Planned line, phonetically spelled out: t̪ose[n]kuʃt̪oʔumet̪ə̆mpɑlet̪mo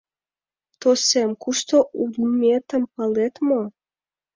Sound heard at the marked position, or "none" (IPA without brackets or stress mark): m